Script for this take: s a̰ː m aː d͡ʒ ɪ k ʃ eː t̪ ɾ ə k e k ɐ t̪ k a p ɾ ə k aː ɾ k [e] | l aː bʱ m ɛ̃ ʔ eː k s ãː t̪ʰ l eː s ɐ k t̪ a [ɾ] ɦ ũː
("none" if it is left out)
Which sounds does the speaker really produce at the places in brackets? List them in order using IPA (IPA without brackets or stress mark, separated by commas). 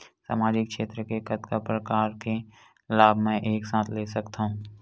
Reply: e, none